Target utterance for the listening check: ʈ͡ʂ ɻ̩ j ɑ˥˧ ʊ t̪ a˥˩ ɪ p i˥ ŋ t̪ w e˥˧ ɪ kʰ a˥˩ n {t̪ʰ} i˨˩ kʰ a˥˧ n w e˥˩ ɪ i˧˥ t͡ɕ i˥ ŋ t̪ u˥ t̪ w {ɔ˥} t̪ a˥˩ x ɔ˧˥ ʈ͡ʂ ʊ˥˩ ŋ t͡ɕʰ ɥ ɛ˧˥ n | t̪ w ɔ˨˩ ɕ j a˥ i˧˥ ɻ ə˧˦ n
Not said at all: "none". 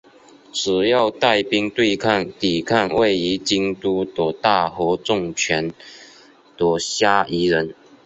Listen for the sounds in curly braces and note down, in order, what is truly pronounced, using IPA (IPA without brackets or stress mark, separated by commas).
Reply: t̪, ɔ˨˩